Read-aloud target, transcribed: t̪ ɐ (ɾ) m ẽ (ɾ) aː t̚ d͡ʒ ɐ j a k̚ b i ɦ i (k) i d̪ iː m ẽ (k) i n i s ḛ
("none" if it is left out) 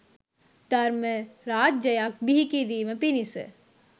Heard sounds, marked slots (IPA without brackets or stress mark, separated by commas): ɾ, ɾ, k, p